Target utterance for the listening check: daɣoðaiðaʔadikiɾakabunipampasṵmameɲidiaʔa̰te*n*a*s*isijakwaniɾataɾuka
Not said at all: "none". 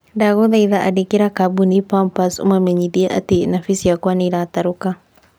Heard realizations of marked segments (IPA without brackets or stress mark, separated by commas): n, f